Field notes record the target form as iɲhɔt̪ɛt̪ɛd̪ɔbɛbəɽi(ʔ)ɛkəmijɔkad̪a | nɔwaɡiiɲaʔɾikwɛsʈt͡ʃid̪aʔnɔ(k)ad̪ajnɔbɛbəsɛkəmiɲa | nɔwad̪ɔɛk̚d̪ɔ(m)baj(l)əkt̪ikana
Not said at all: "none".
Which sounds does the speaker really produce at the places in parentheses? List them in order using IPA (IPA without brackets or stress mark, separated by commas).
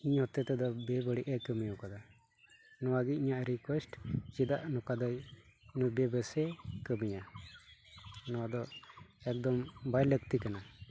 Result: ʔ, k, m, l